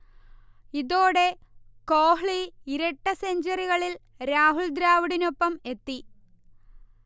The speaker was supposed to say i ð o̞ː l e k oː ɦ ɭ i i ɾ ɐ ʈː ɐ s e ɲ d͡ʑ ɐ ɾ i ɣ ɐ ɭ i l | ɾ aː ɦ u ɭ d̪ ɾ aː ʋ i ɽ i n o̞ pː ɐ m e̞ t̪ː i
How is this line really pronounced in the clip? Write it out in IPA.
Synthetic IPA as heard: i ð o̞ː ɽ e k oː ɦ ɭ i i ɾ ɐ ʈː ɐ s e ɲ d͡ʑ ɐ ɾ i ɣ ɐ ɭ i l | ɾ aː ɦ u ɭ d̪ ɾ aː ʋ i ɽ i n o̞ pː ɐ m e̞ t̪ː i